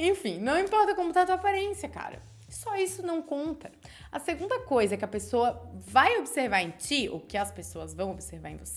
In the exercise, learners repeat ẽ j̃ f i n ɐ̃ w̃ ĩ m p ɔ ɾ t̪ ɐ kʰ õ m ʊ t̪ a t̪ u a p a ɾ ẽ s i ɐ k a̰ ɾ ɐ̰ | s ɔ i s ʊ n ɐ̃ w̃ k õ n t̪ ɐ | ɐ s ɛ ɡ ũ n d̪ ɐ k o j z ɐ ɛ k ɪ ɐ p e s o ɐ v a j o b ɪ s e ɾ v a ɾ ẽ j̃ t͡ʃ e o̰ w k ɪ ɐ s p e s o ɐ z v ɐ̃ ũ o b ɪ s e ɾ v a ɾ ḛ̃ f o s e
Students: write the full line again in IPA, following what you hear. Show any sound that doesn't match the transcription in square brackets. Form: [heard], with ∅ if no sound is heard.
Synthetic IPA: ẽ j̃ f [ĩ] n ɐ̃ w̃ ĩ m p ɔ ɾ t̪ ɐ [k] õ m ʊ t̪ a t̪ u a p a ɾ ẽ s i ɐ k a̰ ɾ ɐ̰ | s ɔ i s ʊ n ɐ̃ w̃ k õ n t̪ ɐ | ɐ s [e] ɡ ũ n d̪ ɐ k o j z ɐ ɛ k ɪ ɐ p e s o ɐ v a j o b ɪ s e ɾ v a ɾ ẽ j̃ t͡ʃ [i] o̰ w k ɪ ɐ s p e s o ɐ z v ɐ̃ [w̃] o b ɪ s e ɾ v a ɾ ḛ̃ [v] o s e